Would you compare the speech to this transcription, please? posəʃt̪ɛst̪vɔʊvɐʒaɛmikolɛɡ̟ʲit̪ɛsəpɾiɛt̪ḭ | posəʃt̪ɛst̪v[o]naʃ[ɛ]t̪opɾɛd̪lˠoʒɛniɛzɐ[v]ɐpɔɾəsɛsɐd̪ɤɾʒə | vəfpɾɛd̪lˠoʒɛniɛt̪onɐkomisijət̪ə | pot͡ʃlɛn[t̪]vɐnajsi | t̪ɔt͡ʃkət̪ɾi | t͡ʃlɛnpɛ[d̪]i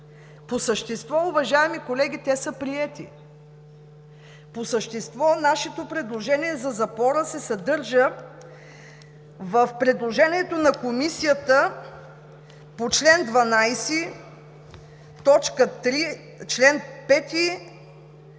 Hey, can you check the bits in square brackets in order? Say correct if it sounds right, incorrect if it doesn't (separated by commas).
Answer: incorrect, correct, incorrect, incorrect, incorrect